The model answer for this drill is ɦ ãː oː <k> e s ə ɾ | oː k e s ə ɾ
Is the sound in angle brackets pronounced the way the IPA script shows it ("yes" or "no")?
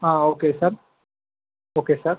yes